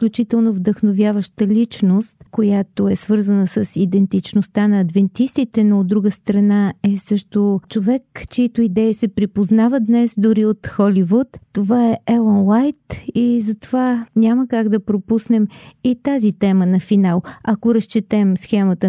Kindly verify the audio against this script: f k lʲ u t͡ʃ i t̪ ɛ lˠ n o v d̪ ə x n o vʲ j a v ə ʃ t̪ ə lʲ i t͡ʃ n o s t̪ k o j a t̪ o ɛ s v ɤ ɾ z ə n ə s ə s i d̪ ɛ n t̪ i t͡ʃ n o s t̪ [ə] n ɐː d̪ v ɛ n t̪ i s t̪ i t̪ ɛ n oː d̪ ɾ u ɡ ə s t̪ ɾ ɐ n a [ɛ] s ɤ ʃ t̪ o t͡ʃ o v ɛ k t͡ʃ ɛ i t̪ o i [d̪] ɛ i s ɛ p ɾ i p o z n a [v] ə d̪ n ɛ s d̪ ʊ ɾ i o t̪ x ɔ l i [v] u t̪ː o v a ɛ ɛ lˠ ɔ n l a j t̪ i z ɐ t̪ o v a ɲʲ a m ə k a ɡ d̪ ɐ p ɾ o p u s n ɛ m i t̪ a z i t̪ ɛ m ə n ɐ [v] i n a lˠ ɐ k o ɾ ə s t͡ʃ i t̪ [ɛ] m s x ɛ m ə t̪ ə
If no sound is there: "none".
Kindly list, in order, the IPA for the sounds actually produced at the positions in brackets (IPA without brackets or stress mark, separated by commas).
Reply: a, ɛ, d̪, v, v, f, ɛ